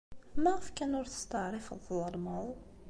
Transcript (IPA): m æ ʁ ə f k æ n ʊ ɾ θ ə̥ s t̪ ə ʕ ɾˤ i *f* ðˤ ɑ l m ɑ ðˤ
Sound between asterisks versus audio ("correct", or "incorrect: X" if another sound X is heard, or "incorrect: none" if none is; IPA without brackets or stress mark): correct